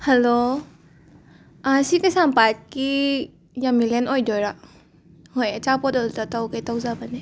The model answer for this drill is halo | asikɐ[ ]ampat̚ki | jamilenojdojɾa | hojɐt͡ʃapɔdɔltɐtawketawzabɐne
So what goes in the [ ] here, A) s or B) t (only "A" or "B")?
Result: A